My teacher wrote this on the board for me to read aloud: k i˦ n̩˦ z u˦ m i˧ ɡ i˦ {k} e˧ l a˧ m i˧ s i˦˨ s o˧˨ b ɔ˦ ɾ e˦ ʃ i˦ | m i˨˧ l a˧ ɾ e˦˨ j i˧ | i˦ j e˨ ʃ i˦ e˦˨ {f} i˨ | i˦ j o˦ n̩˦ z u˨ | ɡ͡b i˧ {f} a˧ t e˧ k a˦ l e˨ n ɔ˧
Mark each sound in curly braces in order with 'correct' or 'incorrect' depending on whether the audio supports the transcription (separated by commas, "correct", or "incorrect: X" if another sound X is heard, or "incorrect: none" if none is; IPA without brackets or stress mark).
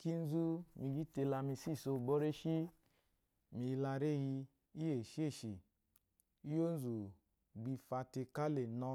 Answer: incorrect: t, incorrect: ʃ, correct